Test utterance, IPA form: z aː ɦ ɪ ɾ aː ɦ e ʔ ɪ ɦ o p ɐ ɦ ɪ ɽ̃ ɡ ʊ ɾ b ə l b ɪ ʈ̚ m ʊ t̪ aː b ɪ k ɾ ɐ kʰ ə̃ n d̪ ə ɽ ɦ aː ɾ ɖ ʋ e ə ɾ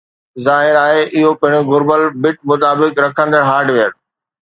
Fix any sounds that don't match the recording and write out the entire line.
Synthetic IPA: z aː ɦ ɪ ɾ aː ɦ e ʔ ɪ ɦ o p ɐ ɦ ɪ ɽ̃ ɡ ʊ ɾ b ə l b ɪ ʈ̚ m ʊ t̪ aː b ɪ k ɾ ɐ kʰ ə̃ n d̪ ə ɽ ɦ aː ɾ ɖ ʋ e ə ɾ